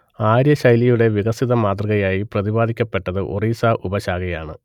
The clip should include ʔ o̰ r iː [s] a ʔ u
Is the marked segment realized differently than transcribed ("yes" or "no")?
no